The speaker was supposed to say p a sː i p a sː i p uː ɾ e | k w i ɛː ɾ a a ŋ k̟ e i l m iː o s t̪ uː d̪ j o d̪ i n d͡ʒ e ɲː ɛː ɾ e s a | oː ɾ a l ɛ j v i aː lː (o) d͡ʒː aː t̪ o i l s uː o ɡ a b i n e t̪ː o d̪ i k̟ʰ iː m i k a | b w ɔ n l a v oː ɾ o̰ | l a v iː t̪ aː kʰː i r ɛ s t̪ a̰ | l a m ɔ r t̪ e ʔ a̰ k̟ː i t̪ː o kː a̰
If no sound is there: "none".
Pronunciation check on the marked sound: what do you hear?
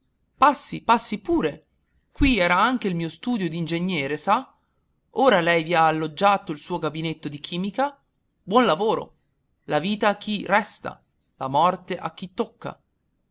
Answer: o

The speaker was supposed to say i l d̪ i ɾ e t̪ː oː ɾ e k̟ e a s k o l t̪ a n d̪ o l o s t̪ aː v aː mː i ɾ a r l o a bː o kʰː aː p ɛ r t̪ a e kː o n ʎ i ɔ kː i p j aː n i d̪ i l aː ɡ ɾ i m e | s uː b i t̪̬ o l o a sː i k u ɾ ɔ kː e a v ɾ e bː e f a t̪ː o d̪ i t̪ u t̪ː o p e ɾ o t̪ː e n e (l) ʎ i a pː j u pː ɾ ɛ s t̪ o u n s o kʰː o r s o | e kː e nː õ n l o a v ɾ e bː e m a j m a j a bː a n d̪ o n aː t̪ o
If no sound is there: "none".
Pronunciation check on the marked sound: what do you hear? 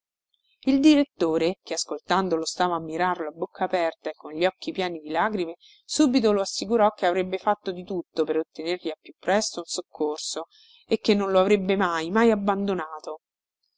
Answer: r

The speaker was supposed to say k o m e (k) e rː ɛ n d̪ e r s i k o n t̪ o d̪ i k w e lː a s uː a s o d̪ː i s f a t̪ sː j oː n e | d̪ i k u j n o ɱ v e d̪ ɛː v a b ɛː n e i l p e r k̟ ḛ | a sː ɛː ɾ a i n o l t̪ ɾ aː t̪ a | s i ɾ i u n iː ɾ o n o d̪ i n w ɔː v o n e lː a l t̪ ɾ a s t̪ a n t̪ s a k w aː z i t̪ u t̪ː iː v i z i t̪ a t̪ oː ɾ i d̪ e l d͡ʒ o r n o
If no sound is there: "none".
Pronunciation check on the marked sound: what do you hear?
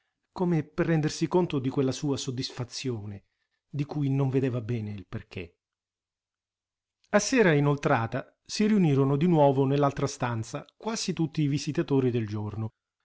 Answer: p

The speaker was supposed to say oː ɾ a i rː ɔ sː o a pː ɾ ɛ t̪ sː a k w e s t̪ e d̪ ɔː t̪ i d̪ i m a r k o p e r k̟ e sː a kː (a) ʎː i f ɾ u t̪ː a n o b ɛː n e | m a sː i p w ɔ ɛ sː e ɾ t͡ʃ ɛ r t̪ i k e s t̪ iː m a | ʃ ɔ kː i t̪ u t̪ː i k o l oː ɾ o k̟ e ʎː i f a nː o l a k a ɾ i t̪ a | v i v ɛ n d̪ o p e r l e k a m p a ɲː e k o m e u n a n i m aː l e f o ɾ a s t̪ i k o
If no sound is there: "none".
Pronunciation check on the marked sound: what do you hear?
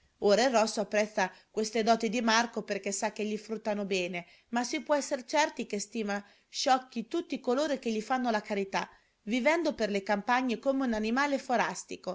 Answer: e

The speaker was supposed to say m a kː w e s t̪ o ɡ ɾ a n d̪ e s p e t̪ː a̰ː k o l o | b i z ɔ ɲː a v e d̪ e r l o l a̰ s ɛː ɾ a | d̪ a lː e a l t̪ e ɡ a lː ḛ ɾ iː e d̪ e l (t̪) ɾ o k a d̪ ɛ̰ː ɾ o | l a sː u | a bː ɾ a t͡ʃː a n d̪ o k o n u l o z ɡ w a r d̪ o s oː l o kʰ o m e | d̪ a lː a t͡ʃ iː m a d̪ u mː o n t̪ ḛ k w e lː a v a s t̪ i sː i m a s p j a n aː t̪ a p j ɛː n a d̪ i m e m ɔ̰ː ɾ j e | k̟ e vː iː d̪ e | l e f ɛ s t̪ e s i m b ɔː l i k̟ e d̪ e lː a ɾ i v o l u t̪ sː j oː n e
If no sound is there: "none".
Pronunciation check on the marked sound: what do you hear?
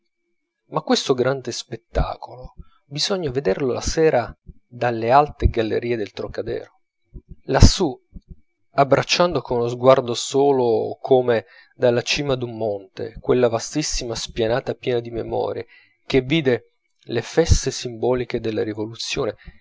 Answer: t̪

